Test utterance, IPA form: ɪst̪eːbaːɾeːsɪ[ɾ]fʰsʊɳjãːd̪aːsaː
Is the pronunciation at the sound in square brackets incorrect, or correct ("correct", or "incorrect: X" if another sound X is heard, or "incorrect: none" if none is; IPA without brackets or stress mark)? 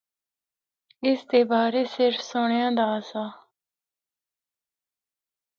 correct